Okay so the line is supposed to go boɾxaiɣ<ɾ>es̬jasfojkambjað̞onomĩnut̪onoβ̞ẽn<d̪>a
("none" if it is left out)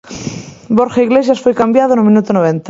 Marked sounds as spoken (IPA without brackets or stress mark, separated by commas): l, t̪